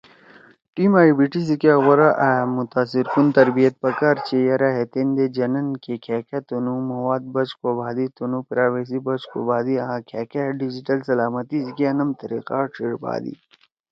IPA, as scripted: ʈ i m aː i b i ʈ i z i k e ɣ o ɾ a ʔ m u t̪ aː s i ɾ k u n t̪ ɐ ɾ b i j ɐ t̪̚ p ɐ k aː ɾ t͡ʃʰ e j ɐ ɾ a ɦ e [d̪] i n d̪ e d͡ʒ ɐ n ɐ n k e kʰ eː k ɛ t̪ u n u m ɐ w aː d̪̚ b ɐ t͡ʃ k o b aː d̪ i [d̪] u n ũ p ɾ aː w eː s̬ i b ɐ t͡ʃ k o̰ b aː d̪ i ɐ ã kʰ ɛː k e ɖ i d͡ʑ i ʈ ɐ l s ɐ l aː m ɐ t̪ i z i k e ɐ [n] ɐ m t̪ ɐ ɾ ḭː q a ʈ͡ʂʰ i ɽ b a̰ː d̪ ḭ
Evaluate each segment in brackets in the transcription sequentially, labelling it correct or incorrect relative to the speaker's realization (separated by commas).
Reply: incorrect, incorrect, correct